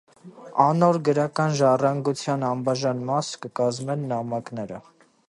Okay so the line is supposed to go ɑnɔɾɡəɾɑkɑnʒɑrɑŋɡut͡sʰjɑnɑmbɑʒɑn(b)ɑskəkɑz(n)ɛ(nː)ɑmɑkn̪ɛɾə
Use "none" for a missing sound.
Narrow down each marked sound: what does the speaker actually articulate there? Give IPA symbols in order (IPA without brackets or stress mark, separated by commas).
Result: m, m, nː